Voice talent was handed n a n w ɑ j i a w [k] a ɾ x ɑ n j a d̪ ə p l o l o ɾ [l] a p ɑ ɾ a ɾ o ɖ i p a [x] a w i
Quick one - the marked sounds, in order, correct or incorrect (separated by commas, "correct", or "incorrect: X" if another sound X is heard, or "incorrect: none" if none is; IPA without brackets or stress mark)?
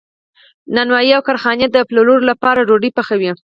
correct, correct, correct